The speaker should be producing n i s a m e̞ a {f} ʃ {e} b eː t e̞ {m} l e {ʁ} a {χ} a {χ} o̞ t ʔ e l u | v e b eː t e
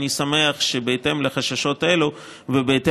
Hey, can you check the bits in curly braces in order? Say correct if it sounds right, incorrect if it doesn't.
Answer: incorrect: χ, correct, correct, incorrect: χ, incorrect: ʃ, incorrect: ʃ

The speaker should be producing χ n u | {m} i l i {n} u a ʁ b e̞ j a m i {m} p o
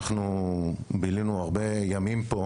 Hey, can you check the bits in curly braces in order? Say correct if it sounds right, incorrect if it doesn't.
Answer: incorrect: b, correct, correct

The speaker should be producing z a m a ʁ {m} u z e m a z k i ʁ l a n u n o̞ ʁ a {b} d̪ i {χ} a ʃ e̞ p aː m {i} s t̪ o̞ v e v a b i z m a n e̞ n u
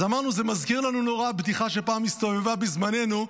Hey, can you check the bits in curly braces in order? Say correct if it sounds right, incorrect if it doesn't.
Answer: incorrect: n, correct, correct, correct

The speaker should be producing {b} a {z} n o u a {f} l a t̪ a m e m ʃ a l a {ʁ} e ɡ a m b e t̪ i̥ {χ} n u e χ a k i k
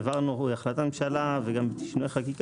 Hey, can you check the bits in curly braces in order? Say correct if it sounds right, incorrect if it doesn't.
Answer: incorrect: v, incorrect: ʁ, incorrect: χ, incorrect: v, incorrect: ʃ

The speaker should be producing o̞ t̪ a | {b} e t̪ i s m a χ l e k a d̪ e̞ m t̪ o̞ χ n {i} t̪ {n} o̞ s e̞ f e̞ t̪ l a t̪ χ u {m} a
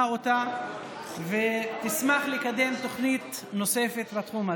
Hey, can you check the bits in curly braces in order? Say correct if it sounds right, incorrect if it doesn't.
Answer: incorrect: v, correct, correct, correct

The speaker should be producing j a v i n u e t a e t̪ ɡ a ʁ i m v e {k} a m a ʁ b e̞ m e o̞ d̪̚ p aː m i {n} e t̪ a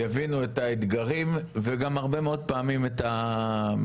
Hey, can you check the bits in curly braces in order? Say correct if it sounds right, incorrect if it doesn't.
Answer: incorrect: ɡ, incorrect: m

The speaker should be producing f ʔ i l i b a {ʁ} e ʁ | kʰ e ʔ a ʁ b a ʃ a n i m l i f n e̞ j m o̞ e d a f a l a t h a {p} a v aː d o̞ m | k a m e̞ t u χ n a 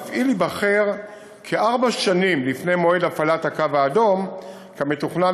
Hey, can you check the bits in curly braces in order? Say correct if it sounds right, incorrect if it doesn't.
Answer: incorrect: χ, incorrect: k

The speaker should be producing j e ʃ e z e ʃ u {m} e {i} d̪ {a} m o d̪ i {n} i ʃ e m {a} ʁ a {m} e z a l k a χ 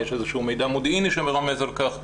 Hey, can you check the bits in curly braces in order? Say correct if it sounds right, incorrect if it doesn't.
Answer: correct, incorrect: j, correct, correct, incorrect: e, correct

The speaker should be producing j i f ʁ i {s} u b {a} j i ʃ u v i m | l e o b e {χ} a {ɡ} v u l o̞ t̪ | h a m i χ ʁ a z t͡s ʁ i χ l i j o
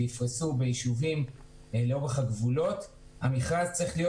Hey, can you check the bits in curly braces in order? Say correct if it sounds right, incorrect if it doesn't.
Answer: correct, incorrect: e, correct, correct

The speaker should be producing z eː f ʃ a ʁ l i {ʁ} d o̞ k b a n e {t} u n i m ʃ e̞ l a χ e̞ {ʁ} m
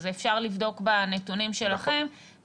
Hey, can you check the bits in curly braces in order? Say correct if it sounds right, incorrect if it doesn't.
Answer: incorrect: v, correct, incorrect: none

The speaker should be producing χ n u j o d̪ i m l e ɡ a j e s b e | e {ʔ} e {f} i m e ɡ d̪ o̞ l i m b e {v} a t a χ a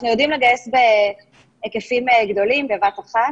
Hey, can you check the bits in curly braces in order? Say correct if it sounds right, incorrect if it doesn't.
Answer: incorrect: k, correct, correct

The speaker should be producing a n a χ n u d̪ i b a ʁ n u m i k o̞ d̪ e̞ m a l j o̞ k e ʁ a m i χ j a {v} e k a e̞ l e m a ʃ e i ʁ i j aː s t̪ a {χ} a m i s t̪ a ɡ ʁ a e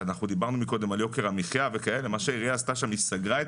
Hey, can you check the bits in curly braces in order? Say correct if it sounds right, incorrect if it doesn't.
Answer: correct, incorrect: ʃ

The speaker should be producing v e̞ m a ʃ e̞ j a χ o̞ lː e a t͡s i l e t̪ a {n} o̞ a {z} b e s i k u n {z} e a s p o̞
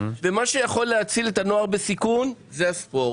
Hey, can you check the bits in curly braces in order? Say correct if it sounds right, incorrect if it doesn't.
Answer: correct, incorrect: ʁ, correct

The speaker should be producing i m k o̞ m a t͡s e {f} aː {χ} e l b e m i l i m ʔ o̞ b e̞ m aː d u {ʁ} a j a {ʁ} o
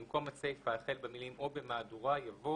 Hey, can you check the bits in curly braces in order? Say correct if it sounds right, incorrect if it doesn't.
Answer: correct, correct, correct, incorrect: v

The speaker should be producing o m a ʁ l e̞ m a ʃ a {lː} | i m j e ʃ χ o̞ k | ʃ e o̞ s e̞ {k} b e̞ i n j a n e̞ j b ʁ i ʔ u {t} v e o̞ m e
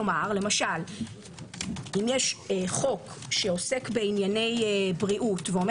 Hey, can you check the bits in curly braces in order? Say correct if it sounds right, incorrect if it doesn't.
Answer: incorrect: l, correct, correct

